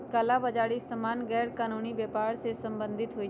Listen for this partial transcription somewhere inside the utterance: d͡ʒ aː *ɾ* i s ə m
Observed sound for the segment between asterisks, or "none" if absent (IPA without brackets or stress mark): ɽ